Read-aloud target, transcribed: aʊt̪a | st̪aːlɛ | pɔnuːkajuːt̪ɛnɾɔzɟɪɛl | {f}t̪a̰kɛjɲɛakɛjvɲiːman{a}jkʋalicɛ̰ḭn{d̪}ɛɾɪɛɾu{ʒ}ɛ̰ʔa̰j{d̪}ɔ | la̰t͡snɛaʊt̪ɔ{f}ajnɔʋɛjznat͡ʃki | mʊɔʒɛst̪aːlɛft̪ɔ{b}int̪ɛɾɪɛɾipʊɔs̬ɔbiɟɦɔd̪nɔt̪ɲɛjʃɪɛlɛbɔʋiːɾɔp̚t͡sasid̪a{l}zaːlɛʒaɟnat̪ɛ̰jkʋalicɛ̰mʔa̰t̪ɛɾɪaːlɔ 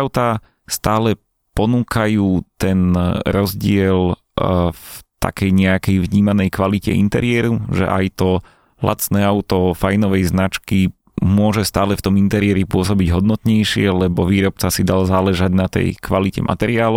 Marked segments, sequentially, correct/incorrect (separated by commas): correct, incorrect, incorrect, correct, incorrect, correct, incorrect, correct